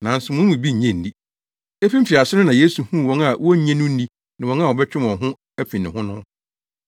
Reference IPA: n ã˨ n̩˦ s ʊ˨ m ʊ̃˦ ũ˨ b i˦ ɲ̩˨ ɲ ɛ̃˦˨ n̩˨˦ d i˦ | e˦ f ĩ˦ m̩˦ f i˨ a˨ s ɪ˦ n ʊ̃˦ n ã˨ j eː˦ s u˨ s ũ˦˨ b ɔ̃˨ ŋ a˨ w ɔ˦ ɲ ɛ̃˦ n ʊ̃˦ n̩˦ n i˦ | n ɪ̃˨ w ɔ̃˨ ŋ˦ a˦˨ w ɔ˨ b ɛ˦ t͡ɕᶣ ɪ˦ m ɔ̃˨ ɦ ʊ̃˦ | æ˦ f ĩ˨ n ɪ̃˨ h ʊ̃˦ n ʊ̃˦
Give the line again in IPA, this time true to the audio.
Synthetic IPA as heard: n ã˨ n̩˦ s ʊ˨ m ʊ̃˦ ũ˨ b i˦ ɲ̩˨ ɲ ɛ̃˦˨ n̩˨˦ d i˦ | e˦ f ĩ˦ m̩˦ f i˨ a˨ s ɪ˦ n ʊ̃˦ n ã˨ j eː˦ s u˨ h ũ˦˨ w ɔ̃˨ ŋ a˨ w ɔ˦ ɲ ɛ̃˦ n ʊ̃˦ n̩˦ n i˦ | n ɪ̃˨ w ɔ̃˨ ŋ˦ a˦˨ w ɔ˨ b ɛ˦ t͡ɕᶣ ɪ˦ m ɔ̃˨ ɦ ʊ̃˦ | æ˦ f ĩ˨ n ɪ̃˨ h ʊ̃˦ n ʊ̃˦